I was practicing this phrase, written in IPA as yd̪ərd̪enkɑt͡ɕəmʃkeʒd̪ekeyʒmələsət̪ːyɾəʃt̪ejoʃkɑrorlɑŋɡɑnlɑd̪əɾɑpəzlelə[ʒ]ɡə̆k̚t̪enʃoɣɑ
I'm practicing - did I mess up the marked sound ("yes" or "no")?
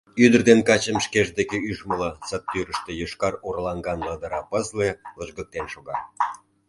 no